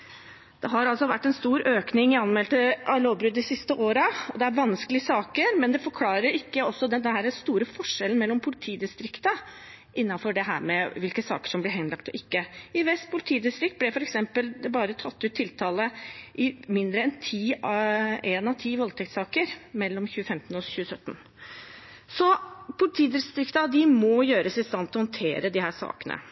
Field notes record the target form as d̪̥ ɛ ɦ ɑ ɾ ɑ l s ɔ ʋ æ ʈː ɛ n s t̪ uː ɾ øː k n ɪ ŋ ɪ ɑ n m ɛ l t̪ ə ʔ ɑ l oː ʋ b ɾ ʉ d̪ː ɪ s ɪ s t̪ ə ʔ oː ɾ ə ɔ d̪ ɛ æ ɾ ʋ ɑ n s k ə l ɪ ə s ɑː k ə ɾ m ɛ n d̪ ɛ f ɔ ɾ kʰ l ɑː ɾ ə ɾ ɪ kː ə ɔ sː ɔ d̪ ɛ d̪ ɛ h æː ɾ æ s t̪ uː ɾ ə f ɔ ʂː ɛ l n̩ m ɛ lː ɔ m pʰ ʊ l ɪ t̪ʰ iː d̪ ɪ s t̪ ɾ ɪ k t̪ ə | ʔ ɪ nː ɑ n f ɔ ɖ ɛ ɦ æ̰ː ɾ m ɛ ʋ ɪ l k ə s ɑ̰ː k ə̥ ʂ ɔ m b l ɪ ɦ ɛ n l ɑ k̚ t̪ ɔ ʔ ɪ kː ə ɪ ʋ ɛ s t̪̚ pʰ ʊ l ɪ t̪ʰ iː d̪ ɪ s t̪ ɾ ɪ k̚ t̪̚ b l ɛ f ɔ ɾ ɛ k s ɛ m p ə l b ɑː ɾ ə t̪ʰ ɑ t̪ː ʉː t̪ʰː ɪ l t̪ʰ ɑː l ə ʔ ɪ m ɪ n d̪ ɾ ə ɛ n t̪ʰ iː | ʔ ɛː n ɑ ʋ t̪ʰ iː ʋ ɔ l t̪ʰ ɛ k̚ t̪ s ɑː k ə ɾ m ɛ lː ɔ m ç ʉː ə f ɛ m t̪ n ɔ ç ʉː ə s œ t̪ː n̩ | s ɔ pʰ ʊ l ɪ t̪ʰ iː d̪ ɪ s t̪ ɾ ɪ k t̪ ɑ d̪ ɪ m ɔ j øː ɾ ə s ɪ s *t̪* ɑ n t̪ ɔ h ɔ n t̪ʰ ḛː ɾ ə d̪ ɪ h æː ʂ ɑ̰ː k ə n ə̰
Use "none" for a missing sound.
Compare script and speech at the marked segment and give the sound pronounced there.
t̪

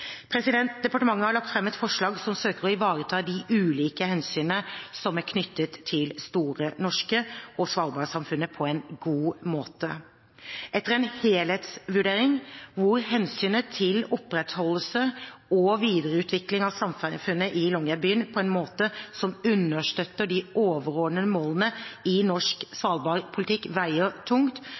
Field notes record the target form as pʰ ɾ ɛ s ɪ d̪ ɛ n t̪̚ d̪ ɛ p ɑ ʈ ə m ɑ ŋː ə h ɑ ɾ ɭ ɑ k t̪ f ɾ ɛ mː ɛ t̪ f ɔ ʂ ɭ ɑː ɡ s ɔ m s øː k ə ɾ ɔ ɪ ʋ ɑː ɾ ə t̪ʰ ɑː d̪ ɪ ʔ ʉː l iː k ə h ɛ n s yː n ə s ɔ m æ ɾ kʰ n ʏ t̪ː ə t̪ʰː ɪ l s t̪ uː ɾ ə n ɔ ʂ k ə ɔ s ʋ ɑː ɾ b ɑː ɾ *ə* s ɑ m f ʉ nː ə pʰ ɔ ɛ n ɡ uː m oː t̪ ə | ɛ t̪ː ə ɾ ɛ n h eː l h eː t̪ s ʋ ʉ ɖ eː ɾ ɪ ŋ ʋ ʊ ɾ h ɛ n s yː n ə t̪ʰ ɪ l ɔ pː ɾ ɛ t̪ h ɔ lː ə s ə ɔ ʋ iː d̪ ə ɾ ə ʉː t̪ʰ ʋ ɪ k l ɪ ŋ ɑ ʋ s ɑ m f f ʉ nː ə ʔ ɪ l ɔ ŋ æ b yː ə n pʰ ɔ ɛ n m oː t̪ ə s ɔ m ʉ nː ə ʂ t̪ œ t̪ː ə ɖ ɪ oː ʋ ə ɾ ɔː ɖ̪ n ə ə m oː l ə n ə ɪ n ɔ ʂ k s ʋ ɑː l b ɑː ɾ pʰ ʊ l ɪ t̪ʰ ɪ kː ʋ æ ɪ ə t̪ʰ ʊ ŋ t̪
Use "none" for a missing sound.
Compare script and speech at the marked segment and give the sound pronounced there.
ə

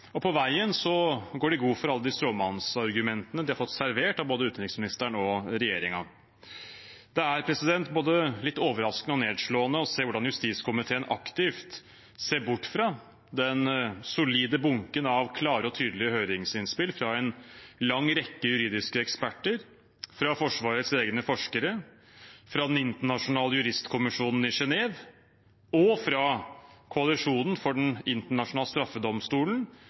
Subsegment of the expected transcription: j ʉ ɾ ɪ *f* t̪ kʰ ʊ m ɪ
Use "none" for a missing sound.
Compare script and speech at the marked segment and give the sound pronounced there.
s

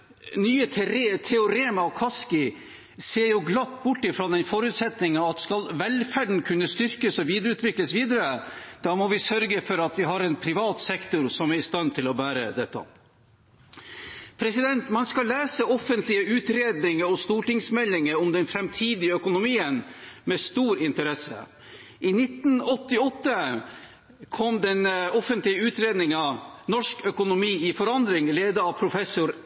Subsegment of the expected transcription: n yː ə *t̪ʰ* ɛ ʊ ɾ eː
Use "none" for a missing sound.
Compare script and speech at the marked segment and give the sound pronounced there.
t̪ʰ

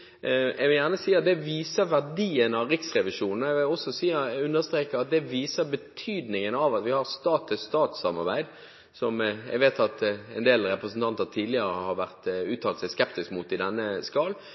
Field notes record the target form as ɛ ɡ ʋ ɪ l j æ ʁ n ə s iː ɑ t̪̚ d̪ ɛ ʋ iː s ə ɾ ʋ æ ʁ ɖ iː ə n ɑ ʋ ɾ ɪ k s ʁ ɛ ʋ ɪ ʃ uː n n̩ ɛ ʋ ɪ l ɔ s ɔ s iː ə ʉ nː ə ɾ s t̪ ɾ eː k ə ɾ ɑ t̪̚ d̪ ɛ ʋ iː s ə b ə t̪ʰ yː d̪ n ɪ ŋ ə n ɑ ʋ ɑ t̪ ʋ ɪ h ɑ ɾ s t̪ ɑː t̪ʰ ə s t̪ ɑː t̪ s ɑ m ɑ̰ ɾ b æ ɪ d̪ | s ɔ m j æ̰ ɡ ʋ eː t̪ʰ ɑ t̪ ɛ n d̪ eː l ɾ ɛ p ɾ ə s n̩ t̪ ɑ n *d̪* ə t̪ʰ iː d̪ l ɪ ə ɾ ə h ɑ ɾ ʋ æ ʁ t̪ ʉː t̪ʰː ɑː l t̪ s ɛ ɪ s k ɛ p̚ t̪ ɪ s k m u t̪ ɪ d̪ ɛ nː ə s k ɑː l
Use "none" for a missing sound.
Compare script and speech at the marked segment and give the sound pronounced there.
t̪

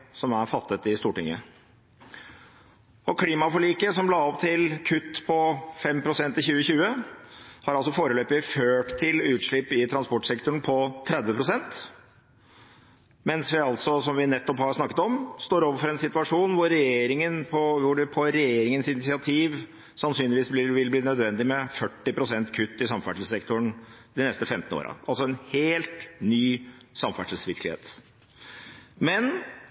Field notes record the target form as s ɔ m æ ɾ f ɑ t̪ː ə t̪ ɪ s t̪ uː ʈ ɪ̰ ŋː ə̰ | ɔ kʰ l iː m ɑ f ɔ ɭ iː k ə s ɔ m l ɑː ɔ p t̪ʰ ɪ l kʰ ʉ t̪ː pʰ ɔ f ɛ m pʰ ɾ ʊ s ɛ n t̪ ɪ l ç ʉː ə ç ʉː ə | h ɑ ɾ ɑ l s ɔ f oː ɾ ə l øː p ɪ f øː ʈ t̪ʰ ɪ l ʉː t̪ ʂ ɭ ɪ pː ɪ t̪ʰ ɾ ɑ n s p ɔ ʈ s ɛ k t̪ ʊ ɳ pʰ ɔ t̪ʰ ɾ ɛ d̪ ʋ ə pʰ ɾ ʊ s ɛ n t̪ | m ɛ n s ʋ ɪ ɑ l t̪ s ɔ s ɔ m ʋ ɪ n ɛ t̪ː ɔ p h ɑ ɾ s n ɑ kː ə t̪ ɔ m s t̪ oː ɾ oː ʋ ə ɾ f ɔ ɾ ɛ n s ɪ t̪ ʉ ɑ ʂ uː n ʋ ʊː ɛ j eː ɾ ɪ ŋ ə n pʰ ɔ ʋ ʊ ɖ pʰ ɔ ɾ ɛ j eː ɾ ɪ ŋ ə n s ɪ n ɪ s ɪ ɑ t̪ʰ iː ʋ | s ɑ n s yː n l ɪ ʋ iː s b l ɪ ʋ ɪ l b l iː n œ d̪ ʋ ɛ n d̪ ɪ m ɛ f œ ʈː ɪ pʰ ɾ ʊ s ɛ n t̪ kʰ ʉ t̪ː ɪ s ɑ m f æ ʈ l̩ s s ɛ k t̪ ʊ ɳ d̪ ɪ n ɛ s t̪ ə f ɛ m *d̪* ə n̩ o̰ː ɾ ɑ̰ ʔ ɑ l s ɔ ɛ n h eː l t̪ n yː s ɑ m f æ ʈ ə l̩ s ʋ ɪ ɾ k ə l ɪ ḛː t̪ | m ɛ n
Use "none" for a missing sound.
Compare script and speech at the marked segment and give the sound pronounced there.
t̪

